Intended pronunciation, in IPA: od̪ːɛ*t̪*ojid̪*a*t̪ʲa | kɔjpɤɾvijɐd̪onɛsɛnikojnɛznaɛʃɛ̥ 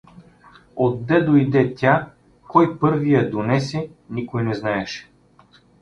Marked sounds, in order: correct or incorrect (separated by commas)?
incorrect, incorrect